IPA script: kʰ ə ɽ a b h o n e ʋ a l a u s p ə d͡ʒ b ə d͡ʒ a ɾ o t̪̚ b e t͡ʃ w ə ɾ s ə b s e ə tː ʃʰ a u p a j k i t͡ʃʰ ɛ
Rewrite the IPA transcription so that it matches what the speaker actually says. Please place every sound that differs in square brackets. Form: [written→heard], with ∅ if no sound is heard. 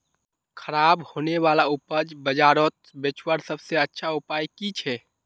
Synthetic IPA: kʰ ə [ɽ→ɾ] a b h o n e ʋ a l a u [s→∅] p ə d͡ʒ b ə d͡ʒ a ɾ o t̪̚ b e t͡ʃ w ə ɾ s ə b s e ə tː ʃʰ a u p a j k i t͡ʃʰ ɛ